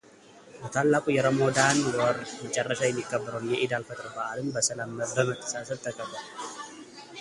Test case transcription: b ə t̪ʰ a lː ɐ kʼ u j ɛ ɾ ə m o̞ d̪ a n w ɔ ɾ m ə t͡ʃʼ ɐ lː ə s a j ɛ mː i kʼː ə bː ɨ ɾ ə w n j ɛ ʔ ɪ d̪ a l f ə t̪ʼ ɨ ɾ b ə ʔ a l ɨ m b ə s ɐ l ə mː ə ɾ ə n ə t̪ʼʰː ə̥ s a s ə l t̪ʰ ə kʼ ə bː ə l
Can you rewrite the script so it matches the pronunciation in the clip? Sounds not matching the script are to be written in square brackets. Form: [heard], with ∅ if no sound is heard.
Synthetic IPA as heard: b ə t̪ʰ a lː [a] kʼ u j ɛ ɾ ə m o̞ d̪ a n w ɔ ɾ m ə t͡ʃʼ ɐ [rː] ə [ʃ] a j ɛ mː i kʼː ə bː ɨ ɾ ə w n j ɛ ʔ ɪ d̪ a l f ə t̪ʼ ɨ ɾ b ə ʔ a l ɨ m b ə s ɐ l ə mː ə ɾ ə [m] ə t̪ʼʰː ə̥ s a s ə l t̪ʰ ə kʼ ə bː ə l